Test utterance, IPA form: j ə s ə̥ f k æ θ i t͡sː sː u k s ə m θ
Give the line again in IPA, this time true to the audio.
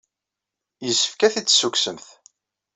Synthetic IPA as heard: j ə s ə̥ f k æ θ i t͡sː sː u k s ə m θ